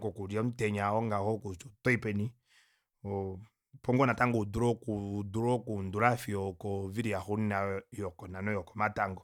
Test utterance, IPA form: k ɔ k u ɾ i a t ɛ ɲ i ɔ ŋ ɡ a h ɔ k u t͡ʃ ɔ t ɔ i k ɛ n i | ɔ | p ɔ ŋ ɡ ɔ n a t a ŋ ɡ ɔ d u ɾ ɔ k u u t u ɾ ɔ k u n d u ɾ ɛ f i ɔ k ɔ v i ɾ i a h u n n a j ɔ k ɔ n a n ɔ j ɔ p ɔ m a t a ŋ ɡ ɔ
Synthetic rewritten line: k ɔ k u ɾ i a t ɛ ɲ a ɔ ŋ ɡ a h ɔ k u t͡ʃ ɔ t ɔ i p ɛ n i | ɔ | p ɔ ŋ ɡ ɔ n a t a ŋ ɡ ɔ d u ɾ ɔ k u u d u ɾ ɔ k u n d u ɾ a f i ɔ k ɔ v i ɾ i a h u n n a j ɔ k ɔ n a n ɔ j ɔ k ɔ m a t a ŋ ɡ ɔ

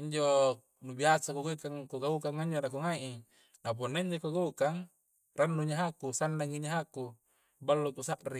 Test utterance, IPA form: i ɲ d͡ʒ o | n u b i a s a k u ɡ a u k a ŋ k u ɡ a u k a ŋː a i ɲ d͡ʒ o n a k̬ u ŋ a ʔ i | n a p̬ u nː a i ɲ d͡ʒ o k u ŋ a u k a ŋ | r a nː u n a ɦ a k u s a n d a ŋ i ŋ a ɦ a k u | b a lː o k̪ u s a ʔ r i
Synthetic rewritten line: i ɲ d͡ʒ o | n u b i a s a k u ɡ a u k a ŋ k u ɡ a u k a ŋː a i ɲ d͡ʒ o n a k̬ u ŋ a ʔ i | n a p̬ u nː a i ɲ d͡ʒ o k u ɡ a u k a ŋ | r a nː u ɲ a ɦ a k u s a n d a ŋ i ɲ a ɦ a k u | b a lː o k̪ u s a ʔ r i

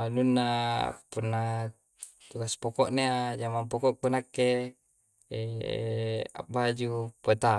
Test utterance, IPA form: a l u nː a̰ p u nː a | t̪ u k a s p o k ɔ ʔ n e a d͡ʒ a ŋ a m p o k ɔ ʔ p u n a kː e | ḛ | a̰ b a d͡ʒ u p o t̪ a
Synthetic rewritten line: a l u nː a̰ p u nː a | t̪ u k a s p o k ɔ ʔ n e a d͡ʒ a m a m p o k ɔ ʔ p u n a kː e | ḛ | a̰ b a d͡ʒ u p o t̪ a

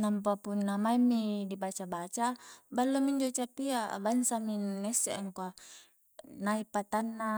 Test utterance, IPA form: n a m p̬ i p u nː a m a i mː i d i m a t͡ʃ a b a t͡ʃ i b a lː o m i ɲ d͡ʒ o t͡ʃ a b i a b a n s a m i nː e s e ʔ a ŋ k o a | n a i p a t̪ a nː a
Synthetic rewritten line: n a m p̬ a p u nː a m a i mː i d i b a t͡ʃ a b a t͡ʃ a b a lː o m i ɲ d͡ʒ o t͡ʃ a p i a b a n s a m i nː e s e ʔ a ŋ k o a | n a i p a t̪ a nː a

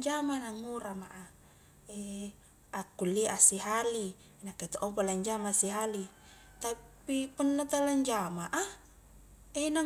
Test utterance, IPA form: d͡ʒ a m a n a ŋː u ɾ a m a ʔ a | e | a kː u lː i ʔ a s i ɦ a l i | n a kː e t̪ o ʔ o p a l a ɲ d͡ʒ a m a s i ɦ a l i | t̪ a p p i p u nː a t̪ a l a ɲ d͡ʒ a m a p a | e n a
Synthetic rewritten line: d͡ʒ a m a n a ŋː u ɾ a m a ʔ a | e | a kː u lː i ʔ a s i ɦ a l i | n a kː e t̪ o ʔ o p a l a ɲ d͡ʒ a m a s i ɦ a l i | t̪ a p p i p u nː a t̪ a l a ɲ d͡ʒ a m a ʔ a | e n a

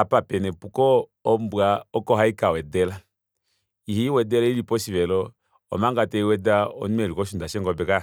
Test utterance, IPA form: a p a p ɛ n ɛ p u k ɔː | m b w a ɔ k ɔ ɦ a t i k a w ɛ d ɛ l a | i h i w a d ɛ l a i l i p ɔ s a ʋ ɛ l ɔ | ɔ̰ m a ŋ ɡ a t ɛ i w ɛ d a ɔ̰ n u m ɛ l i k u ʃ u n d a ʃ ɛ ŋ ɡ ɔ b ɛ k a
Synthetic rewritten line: a p a p ɛ n ɛ p u k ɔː | m b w a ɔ k ɔ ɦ a i k a w ɛ d ɛ l a | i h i w ɛ d ɛ l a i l i p ɔ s i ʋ ɛ l ɔ | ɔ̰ m a ŋ ɡ a t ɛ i w ɛ d a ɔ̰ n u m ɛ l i k ɔ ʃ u n d a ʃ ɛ ŋ ɡ ɔ b ɛ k a

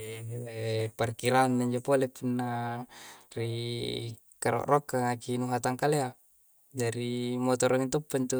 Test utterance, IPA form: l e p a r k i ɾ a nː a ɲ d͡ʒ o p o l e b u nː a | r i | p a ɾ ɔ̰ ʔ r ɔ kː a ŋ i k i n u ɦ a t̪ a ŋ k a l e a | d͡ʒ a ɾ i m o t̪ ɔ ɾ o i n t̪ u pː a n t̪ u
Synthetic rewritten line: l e p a r k i ɾ a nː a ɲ d͡ʒ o p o l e p u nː a | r i | k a ɾ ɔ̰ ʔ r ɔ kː a ŋ a k i n u ɦ a t̪ a ŋ k a l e a | d͡ʒ a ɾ i m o t̪ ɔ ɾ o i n t̪ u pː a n t̪ u

